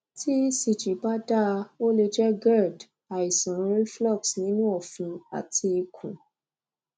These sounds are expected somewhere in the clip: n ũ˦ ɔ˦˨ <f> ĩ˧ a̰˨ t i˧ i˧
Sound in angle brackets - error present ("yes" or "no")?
no